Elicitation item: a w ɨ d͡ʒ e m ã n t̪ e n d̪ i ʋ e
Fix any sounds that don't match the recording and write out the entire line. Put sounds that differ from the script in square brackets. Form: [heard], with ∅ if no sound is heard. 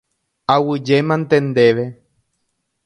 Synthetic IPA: a w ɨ d͡ʒ e m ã n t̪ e n d̪ [e] ʋ e